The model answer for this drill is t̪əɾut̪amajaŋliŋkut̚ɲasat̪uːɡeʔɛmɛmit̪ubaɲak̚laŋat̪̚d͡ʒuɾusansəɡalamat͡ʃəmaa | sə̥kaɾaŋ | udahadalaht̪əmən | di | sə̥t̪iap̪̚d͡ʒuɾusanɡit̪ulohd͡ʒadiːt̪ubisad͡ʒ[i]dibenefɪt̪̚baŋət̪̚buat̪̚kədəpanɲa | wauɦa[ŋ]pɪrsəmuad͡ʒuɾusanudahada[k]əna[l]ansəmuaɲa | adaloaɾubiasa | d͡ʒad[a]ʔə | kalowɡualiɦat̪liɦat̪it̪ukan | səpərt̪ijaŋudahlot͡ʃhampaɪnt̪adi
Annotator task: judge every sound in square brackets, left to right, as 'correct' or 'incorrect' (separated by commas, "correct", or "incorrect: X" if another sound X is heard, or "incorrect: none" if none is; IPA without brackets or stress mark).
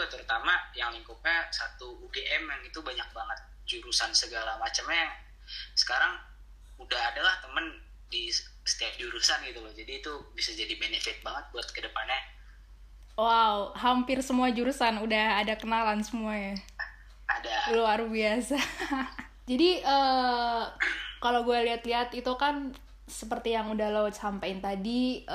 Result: incorrect: a, incorrect: m, correct, correct, incorrect: i